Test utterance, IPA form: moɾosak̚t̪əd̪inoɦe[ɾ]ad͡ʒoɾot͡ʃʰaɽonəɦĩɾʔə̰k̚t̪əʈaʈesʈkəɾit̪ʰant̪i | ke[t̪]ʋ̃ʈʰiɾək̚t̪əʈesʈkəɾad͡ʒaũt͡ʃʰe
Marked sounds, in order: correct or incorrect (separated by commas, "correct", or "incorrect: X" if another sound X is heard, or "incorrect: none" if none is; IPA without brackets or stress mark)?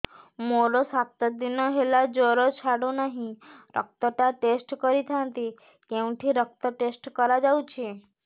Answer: incorrect: l, incorrect: none